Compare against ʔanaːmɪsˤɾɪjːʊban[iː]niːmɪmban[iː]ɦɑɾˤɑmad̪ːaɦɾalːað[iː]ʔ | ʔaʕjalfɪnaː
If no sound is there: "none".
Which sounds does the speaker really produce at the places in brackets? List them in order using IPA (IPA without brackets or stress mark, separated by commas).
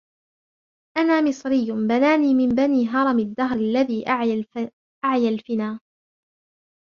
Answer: aː, iː, iː